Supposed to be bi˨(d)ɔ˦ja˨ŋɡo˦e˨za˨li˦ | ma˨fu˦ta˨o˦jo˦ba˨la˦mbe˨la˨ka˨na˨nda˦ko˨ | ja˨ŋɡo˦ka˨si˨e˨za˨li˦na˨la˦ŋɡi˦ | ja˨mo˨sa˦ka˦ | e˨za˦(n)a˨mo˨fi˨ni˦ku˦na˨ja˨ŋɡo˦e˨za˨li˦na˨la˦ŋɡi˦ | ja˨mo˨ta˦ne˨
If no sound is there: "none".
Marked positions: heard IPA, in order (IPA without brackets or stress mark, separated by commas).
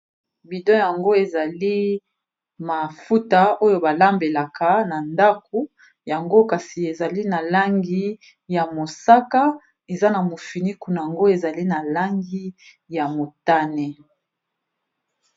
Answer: d, n